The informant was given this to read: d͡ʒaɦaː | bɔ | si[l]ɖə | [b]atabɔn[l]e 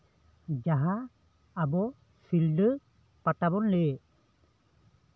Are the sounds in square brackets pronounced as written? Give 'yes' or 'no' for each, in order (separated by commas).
yes, no, yes